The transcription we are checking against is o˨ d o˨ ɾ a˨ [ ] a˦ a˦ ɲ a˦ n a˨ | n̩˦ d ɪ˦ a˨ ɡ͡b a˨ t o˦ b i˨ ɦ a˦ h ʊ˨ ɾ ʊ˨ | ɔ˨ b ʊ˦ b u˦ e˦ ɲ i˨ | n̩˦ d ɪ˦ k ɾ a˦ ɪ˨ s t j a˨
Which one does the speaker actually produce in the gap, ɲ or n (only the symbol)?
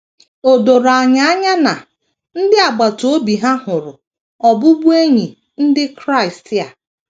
ɲ